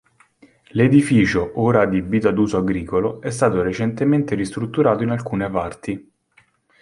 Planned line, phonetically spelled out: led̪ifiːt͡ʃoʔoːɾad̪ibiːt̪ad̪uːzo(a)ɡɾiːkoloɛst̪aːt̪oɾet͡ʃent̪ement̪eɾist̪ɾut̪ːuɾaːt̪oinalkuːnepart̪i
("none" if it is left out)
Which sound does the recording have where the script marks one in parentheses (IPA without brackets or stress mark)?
a